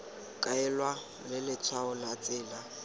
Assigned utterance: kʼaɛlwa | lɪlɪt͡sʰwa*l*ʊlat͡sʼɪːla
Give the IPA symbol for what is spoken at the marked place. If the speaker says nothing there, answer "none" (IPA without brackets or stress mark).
none